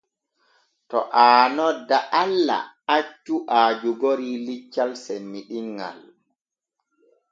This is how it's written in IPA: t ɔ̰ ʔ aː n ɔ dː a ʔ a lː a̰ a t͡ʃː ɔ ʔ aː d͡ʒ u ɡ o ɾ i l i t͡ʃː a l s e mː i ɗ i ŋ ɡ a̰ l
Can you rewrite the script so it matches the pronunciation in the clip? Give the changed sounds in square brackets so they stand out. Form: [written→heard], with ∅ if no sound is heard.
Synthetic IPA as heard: t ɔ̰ ʔ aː n ɔ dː a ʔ a lː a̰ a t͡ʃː [ɔ→u] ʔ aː d͡ʒ u ɡ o ɾ i l i t͡ʃː a l s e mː i ɗ i ŋ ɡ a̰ l